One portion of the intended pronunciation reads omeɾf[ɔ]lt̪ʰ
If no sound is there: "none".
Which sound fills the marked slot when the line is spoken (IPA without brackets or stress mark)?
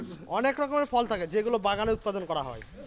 ɔ